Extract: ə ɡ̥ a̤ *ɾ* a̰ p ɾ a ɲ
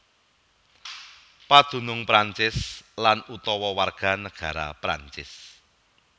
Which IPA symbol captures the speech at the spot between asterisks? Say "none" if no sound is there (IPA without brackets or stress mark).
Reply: ɾ